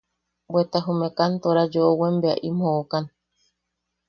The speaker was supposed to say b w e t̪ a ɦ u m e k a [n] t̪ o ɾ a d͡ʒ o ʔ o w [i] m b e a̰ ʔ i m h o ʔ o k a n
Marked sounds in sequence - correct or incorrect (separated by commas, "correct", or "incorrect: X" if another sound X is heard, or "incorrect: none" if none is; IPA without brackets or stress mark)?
correct, incorrect: e